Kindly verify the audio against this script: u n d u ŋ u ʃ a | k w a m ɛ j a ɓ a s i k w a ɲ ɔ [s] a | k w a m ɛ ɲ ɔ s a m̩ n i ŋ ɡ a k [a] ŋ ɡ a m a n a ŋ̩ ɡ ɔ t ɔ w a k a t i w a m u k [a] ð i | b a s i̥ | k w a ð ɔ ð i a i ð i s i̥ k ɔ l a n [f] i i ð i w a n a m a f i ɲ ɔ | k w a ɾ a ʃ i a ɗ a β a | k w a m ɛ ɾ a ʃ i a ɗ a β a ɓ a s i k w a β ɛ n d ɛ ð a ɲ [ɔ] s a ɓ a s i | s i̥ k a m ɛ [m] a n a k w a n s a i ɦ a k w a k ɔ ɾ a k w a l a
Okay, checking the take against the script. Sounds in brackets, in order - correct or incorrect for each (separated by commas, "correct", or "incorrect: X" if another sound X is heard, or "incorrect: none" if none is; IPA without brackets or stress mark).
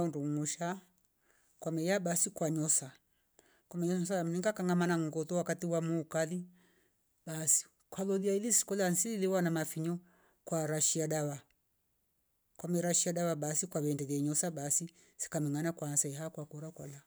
correct, correct, correct, incorrect: s, correct, incorrect: ŋ